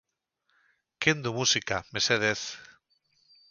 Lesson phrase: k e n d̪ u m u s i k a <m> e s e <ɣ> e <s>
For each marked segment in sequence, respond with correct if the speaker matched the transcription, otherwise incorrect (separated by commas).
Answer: correct, incorrect, incorrect